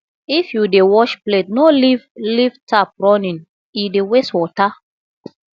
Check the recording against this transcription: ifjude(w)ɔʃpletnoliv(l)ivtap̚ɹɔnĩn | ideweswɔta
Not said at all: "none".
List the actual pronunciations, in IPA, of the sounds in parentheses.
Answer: w, l

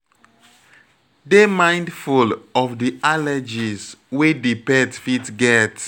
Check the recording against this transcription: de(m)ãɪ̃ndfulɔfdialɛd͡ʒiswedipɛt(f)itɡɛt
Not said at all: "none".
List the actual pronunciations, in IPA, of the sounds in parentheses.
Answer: m, f

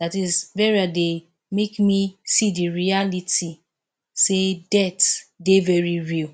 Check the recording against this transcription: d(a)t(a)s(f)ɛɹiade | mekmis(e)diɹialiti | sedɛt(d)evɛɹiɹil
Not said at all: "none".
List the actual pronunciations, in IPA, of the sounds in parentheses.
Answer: a, i, v, i, d

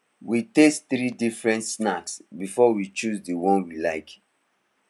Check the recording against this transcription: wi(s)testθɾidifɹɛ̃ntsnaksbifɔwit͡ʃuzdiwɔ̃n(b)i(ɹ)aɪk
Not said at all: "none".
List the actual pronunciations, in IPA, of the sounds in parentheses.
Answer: none, w, l

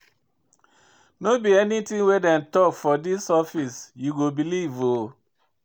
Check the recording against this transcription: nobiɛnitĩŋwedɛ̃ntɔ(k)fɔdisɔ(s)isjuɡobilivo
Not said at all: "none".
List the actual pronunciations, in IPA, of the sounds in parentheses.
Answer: k, f

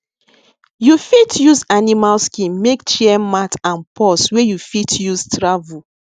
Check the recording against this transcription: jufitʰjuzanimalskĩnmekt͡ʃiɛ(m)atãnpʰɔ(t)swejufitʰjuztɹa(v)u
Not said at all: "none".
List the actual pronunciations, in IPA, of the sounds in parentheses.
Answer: m, none, v

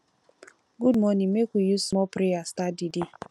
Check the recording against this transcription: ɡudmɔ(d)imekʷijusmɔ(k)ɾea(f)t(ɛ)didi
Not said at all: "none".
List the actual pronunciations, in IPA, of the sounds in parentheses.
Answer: n, p, s, a

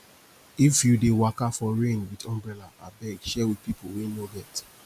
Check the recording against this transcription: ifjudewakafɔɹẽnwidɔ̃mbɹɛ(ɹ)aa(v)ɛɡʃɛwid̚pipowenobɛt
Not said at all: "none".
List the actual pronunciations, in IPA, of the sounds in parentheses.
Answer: l, b

